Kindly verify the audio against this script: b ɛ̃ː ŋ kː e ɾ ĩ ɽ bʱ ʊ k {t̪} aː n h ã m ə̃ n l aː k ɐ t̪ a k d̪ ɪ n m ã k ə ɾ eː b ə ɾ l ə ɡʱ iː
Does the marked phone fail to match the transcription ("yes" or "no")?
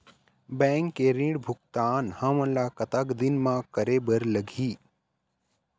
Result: no